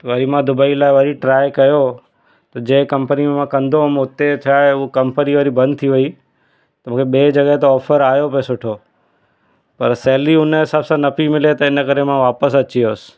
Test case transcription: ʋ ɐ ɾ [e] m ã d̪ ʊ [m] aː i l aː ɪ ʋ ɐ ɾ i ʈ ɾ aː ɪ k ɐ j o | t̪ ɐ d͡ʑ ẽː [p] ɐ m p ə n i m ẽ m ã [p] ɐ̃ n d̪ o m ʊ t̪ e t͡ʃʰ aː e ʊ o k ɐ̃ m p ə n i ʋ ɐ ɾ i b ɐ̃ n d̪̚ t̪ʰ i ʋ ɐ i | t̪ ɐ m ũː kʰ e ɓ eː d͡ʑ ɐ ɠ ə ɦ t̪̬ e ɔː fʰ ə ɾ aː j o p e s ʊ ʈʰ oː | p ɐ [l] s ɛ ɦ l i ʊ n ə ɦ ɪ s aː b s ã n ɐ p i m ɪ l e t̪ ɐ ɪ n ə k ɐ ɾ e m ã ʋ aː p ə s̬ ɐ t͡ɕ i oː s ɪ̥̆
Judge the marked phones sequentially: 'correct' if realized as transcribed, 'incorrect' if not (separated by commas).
incorrect, incorrect, incorrect, incorrect, incorrect